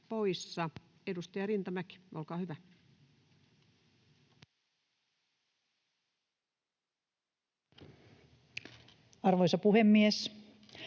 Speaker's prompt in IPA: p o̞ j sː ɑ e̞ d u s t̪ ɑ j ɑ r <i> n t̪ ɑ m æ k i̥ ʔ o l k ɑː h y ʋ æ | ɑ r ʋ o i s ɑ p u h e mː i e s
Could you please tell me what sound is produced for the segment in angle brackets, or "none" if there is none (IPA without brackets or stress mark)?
i